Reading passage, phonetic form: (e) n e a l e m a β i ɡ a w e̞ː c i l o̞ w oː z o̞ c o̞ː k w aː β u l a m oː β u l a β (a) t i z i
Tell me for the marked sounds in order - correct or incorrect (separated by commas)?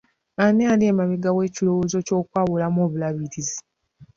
incorrect, incorrect